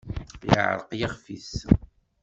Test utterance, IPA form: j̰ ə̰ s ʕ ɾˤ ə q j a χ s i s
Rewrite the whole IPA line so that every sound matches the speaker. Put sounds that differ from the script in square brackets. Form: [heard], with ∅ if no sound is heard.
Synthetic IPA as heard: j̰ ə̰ [∅] ʕ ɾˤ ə q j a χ [f] i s